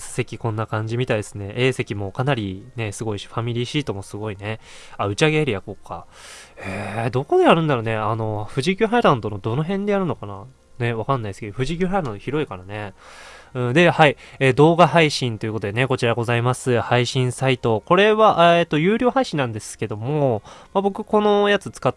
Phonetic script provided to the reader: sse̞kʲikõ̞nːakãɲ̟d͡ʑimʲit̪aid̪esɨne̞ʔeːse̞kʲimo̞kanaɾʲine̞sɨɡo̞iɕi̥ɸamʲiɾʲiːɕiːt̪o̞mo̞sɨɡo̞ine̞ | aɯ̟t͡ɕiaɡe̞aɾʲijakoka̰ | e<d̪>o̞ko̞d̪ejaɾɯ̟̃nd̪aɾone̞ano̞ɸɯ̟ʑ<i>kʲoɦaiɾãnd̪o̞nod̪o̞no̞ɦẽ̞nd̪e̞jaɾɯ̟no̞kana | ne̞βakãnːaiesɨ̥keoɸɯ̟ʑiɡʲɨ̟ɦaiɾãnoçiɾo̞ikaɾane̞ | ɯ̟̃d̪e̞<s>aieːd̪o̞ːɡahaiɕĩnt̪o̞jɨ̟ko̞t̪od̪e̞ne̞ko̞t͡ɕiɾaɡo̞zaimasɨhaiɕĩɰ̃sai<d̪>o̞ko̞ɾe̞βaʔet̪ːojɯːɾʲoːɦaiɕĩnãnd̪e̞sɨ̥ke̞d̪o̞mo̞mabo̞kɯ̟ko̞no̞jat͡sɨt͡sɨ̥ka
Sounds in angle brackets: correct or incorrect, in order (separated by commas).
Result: correct, correct, incorrect, incorrect